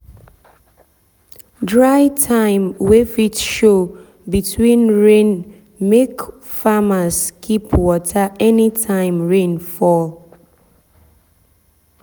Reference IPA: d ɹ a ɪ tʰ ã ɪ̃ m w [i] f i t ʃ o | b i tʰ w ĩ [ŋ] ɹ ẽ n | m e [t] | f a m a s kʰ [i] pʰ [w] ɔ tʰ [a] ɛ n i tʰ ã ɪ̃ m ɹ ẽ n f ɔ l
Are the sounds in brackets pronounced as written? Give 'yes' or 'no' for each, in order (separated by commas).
no, no, no, yes, yes, yes